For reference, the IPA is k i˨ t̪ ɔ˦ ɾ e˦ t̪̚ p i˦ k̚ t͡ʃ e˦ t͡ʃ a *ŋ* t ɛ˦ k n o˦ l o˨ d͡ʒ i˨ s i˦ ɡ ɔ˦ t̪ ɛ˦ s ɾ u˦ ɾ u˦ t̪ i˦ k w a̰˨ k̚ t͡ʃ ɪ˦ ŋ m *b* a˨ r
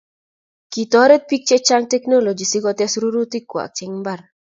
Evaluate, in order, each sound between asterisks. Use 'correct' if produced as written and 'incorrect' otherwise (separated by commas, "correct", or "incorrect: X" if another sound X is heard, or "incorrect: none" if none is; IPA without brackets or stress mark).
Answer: correct, correct